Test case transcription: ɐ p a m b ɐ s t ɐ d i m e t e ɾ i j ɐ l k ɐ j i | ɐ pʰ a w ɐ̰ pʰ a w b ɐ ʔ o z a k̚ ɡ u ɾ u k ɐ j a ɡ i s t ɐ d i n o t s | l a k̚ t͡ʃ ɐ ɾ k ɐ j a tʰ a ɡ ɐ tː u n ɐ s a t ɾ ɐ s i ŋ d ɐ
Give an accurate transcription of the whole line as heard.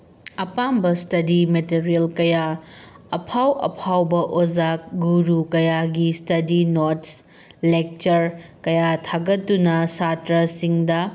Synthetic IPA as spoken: ɐ p a m b ɐ s t ɐ d i m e t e ɾ i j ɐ l k ɐ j a | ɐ pʰ a w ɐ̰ pʰ a w b ɐ ʔ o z a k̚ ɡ u ɾ u k ɐ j a ɡ i s t ɐ d i n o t s | l e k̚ t͡ʃ ɐ ɾ k ɐ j a tʰ a ɡ ɐ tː u n ɐ s a t ɾ ɐ s i ŋ d ɐ